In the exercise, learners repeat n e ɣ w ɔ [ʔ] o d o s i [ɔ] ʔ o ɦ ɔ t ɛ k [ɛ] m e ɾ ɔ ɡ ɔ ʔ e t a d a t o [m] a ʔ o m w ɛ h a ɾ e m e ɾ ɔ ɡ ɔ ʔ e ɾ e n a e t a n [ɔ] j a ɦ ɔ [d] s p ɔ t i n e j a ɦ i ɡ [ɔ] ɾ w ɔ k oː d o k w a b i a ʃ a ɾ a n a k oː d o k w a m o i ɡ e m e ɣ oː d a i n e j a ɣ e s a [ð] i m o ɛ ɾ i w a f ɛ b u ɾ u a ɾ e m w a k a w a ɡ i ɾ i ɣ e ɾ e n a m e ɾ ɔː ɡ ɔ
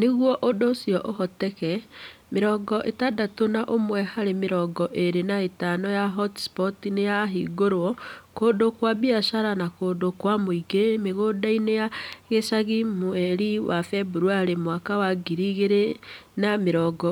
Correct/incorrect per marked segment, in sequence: correct, correct, correct, incorrect: n, correct, incorrect: t, incorrect: o, incorrect: ɣ

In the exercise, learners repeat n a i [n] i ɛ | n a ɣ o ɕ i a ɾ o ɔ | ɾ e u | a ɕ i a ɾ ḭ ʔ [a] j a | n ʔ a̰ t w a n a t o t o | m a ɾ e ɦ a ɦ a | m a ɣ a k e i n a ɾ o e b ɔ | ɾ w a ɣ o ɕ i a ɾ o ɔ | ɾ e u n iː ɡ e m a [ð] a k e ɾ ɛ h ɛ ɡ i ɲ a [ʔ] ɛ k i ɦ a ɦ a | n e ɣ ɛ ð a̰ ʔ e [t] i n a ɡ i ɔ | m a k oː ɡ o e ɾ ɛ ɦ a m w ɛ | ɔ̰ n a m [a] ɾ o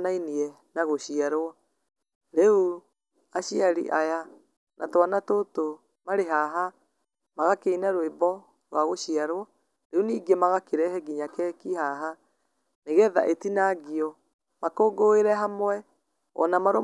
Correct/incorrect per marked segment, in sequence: correct, correct, incorrect: ɣ, incorrect: k, correct, correct

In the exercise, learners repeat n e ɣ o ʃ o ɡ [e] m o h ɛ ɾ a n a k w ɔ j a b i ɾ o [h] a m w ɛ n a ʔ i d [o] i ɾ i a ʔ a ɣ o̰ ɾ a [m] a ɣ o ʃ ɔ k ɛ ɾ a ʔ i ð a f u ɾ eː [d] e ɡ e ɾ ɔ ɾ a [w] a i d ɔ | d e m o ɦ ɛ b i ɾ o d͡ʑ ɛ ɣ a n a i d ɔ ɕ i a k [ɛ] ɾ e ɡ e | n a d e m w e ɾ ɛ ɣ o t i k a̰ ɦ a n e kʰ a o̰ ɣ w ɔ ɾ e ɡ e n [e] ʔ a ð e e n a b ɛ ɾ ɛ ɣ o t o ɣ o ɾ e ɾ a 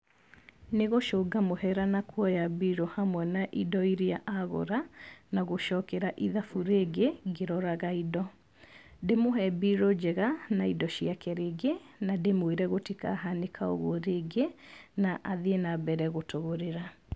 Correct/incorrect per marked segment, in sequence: incorrect: a, correct, incorrect: ɔ, incorrect: n, incorrect: ɡ, incorrect: ɣ, correct, incorrect: a

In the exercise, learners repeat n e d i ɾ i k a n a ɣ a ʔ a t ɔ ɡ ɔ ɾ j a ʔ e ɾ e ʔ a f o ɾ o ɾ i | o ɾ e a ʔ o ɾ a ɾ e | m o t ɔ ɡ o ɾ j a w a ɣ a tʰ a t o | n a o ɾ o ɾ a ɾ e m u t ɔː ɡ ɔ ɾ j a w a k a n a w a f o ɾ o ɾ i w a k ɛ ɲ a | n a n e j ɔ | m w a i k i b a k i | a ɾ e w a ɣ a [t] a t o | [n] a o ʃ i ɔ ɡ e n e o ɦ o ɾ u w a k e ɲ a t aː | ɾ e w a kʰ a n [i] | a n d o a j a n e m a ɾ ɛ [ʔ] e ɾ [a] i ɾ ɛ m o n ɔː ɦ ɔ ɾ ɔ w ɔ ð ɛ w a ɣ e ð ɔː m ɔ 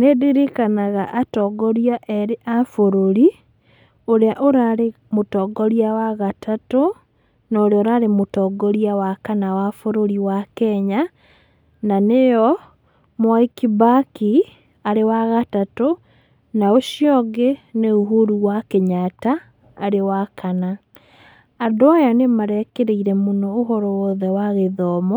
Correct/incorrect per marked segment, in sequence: correct, correct, incorrect: a, incorrect: k, incorrect: e

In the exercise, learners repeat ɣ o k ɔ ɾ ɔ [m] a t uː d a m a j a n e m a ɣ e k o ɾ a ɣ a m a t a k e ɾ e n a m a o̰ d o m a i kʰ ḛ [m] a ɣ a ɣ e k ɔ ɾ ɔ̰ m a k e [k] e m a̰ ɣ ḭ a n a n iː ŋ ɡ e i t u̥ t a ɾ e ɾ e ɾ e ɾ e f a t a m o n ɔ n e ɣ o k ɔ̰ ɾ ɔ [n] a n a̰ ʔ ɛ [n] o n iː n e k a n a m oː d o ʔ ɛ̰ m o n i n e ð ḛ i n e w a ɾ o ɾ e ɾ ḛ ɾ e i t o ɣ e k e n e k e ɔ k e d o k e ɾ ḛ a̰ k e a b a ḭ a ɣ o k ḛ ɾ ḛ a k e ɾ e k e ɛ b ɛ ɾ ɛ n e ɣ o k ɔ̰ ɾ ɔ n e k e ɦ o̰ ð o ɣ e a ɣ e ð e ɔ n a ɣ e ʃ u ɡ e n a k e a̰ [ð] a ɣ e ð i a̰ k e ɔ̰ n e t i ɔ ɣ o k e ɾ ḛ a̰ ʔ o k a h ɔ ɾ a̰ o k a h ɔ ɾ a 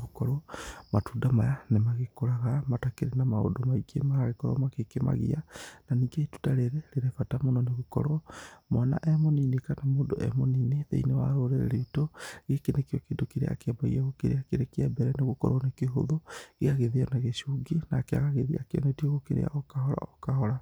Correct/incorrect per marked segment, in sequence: correct, correct, correct, incorrect: m, incorrect: m, incorrect: ɣ

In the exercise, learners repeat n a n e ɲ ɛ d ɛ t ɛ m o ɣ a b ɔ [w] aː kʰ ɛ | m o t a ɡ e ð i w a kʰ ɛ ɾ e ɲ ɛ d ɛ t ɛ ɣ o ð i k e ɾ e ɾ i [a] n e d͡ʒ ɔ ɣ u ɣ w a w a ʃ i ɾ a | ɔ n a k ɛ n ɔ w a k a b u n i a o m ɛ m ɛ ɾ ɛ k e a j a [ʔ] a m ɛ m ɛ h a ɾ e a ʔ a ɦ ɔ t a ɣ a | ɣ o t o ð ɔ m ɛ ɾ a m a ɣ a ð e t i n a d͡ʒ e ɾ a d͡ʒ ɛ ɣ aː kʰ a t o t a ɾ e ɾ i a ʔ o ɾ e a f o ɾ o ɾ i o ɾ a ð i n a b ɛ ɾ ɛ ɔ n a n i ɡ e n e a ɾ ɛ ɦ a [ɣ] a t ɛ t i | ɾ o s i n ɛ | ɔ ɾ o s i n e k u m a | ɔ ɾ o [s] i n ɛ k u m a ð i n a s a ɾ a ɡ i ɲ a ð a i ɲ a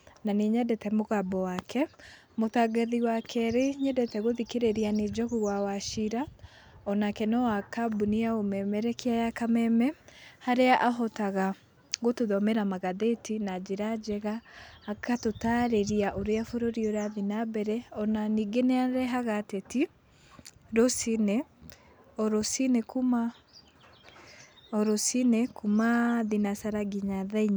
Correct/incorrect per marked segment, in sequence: correct, correct, incorrect: k, correct, correct

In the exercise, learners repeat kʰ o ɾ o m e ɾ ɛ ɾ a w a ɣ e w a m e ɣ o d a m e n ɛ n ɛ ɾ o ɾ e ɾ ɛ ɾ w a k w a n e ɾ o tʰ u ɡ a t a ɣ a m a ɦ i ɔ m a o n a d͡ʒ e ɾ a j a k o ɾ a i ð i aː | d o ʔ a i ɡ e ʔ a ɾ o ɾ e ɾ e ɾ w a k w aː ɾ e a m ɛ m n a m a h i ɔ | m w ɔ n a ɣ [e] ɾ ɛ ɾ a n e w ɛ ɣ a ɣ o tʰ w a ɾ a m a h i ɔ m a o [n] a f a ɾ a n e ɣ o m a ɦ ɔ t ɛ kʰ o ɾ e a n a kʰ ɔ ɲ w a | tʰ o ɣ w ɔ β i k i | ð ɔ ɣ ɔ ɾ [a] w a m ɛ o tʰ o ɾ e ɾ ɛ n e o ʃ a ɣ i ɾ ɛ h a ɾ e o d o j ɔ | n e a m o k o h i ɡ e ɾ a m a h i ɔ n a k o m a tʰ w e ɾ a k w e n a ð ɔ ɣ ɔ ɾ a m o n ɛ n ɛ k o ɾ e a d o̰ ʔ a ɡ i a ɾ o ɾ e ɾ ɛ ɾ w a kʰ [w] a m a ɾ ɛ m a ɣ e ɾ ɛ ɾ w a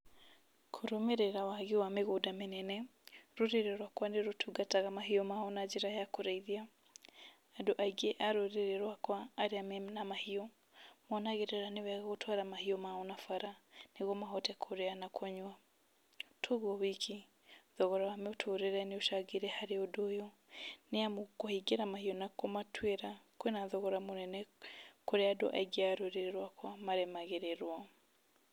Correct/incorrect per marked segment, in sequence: correct, correct, correct, correct

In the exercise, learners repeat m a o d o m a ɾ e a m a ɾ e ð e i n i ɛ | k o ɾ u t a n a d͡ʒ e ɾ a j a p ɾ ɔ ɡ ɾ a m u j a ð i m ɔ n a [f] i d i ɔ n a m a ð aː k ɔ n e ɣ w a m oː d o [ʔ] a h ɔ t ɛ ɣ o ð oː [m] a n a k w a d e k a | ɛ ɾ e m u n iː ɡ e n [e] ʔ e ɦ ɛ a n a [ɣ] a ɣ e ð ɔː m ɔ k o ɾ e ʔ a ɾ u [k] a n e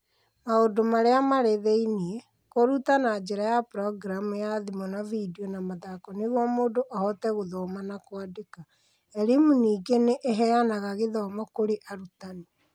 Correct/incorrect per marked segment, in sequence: incorrect: v, correct, correct, correct, correct, incorrect: t

